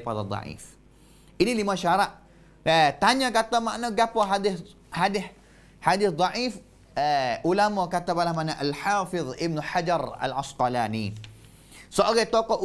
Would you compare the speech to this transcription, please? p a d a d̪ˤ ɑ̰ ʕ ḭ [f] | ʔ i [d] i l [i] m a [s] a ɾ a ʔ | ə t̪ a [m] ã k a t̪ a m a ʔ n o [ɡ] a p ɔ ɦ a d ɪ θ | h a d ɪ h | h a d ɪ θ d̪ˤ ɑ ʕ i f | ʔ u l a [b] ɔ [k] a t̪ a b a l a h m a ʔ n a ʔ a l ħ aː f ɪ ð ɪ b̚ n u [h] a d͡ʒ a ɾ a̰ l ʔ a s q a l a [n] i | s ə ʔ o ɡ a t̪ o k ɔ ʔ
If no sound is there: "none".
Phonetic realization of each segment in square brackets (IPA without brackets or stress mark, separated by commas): f, n, i, ʃ, ɲ, ɡ, m, k, ħ, n